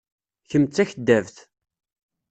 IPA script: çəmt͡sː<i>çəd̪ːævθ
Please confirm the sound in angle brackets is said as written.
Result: no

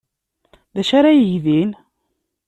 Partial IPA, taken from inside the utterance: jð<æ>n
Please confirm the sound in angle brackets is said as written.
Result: no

